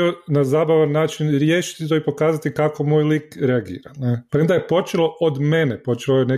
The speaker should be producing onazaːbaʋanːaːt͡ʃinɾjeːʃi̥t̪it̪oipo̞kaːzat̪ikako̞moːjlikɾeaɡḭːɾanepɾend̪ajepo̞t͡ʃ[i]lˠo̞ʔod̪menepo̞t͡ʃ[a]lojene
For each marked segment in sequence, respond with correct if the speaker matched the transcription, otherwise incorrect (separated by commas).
incorrect, incorrect